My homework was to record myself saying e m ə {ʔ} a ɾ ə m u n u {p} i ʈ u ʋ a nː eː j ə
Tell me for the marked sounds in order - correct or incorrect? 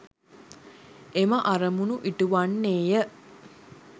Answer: correct, incorrect: ʔ

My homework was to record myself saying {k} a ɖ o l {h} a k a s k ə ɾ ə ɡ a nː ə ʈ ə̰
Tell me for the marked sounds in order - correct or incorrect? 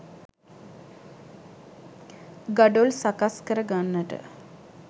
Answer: incorrect: ɡ, incorrect: s

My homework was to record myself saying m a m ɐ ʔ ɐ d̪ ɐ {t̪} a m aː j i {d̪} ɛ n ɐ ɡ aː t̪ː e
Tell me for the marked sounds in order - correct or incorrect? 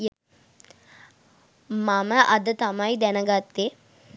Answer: correct, correct

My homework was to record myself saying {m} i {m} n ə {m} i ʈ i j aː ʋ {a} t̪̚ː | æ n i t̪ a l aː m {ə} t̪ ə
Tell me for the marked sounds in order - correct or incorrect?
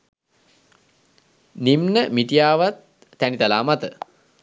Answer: incorrect: n, correct, correct, correct, incorrect: a

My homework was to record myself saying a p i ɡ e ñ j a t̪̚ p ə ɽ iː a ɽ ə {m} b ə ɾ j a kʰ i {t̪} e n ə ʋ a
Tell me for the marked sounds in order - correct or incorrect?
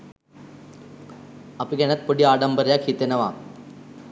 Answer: correct, correct

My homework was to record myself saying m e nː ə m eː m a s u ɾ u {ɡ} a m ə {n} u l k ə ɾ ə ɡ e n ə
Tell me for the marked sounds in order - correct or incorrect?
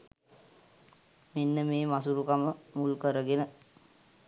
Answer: incorrect: k, incorrect: m

